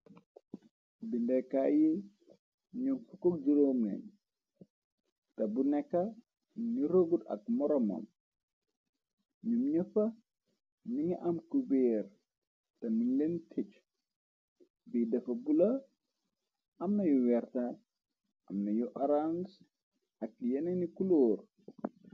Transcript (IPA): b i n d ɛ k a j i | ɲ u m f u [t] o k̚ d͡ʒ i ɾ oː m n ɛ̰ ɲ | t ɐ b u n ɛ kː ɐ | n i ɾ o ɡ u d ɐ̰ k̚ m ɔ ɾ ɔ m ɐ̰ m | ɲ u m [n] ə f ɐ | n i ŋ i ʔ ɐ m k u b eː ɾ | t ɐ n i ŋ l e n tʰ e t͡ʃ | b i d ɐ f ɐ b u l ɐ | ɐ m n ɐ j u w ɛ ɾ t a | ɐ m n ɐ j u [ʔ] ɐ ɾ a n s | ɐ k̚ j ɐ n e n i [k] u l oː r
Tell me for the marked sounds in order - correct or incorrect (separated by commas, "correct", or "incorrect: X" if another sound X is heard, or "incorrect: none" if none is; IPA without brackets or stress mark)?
incorrect: k, incorrect: ɲ, correct, correct